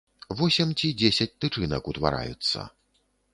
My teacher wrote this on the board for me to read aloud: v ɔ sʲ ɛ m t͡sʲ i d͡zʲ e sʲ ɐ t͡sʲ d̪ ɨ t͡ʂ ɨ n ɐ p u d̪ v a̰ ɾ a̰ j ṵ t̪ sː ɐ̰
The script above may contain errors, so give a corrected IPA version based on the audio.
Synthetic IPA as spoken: v ɔ sʲ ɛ m t͡sʲ i d͡zʲ e sʲ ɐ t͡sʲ t̪ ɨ t͡ʂ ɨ n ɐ k u t̪ v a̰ ɾ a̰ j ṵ t̪ sː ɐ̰